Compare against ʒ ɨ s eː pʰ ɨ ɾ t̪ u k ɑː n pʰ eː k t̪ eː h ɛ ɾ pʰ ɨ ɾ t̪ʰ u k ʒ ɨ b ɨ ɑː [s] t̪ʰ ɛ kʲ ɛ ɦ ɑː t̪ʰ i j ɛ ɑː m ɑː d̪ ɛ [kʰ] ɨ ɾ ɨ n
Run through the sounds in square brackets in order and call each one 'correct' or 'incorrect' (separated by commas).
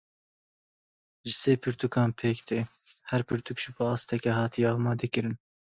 correct, incorrect